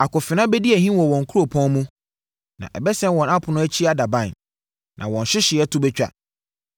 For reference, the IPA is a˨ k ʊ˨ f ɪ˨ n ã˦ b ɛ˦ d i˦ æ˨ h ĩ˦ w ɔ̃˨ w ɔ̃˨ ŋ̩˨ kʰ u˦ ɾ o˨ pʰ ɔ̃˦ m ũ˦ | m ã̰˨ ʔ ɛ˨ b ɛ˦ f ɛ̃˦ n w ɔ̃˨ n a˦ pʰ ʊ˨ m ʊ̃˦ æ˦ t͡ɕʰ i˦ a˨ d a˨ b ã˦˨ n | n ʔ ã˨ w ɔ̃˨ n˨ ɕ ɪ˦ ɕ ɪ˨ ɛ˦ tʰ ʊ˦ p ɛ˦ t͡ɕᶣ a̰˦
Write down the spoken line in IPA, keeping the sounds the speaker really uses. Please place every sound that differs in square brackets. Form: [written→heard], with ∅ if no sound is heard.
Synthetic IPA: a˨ k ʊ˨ f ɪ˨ n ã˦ b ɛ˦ d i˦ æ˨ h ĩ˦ w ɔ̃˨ w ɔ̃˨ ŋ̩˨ kʰ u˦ ɾ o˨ pʰ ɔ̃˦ m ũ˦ | [m→n] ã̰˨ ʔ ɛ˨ b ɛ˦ [f→s] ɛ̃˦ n w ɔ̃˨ n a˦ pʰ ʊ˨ [m→n] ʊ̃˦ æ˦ t͡ɕʰ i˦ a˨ d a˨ b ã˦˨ n | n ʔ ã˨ w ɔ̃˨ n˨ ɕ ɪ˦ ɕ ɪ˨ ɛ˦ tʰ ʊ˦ [p→b] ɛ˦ t͡ɕᶣ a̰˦